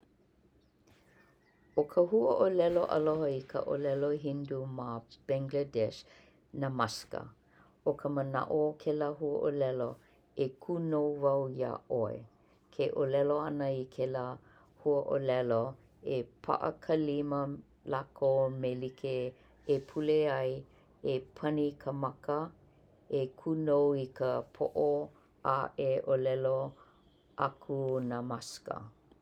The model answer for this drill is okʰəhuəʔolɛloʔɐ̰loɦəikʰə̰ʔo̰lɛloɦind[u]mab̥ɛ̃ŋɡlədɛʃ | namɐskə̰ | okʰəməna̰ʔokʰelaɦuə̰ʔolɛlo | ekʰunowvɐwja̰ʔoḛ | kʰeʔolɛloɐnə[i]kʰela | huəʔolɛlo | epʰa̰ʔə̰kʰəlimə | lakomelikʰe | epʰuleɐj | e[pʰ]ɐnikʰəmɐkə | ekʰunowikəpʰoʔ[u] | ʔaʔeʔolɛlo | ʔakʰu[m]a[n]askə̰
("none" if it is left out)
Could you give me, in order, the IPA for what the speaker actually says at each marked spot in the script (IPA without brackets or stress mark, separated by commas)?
u, i, pʰ, o, n, m